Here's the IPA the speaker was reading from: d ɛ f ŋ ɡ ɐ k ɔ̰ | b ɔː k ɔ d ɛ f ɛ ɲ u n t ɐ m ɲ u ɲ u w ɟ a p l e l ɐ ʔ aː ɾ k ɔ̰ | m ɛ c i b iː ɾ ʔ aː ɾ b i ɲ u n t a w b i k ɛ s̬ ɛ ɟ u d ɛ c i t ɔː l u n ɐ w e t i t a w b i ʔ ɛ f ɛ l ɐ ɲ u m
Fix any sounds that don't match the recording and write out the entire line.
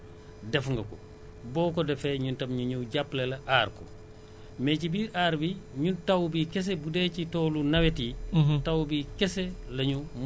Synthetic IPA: d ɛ f ŋ ɡ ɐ k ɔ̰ | b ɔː k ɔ d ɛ f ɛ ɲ u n t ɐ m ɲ u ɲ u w ɟ a p l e l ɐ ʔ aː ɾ k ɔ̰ | m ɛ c i b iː ɾ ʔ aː ɾ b i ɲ u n t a w b i k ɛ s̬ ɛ b u d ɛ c i t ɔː l u n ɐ w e t i t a w b i k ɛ s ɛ l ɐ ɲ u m